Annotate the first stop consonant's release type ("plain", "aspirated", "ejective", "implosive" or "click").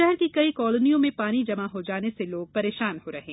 plain